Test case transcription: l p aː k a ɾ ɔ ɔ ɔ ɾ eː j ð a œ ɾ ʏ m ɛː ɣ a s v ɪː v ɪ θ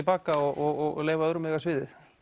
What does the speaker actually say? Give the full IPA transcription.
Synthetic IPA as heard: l p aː k a ɔ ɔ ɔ l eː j v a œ ɾ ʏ m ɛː ɣ a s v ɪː ð ɪ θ

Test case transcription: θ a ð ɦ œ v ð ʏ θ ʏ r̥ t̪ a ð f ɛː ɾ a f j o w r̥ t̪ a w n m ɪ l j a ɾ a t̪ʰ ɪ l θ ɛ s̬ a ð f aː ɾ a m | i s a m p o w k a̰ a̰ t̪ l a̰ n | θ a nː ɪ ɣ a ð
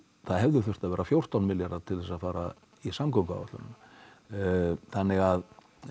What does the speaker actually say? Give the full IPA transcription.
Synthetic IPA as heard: θ a ð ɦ ɛ v ð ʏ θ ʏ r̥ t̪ a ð v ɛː ɾ a f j o w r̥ t̪ a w n m ɪ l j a ɾ a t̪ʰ ɪ l θ ɛ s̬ a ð f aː ɾ a | i s a m k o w k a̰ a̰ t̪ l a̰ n | θ a nː ɪ ɣ a ð

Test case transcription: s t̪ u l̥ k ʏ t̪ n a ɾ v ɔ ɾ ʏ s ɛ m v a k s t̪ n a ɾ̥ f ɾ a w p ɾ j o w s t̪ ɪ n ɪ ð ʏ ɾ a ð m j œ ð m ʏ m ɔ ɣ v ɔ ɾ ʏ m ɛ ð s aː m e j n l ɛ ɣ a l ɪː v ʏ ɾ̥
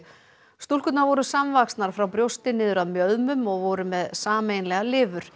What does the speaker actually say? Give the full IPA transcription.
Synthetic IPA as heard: s t̪ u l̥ k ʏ t̪ n a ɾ v ɔ ɾ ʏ s a m v a k s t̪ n a ɾ̥ f ɾ a w p ɾ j o w s t̪ ɪ n ɪː ð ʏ ɾ a ð m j œ ð m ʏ m ɔ ɣ v ɔ ɾ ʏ m ɛ ð s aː m e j n l ɛ ɣ a l ɪː v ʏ ɾ̥

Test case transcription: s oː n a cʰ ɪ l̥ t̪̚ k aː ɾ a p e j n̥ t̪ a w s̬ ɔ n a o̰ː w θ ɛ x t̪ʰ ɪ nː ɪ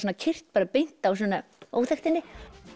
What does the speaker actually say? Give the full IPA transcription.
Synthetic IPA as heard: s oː n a cʰ ɪ r̥ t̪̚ p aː ɾ a p e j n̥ t̪ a w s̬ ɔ n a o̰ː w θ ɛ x t̪ ɪ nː ɪ

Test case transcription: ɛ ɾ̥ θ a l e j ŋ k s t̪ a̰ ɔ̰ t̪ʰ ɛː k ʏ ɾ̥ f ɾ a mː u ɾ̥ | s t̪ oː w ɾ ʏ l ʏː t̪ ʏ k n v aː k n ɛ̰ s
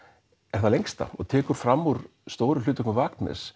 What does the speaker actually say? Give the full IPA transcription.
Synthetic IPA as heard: ɛ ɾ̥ θ a l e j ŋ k s t̪ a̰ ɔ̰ t̪ʰ ɛː k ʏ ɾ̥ f ɾ a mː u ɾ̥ | s t̪ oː w ɾ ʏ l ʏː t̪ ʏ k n v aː k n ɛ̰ s

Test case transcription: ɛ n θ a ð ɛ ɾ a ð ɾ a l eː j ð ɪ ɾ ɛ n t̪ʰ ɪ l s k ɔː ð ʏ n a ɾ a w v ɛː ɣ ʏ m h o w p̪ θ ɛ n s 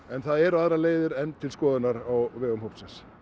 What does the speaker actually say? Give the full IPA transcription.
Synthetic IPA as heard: ɛ n θ a ð ɛ ɾ a ð ɾ a l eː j ð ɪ ɾ ɛ n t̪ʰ ɪ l s k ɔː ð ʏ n a ɾ a w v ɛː ɣ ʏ m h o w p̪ s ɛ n s

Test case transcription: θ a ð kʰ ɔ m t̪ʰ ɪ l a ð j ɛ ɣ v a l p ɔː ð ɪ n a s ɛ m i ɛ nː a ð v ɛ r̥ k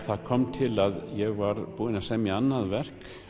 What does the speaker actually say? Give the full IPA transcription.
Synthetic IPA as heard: θ a ð kʰ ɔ m t̪ʰ ɪ l a ð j ɛ ɣ v a ɾ p uː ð ɪ n a s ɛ m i a nː a ð v ɛ r̥ k

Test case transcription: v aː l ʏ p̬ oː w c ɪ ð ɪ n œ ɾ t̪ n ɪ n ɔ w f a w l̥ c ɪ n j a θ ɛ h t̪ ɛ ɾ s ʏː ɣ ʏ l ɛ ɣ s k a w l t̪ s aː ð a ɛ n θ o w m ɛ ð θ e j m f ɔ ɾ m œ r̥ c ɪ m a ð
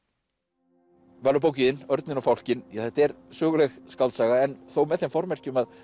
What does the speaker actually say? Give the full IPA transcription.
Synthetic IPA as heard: v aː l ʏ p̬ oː w c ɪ ð ɪ n œ ɾ t̪ n ɪ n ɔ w f a w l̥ c ɪ n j a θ ɛ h t̪ ɛ ɾ s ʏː ɣ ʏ l ɛ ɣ s k a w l t̪ s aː ɣ a ɛ n θ o w m ɛ ð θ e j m f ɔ ɾ m ɛ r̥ c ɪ m a ð

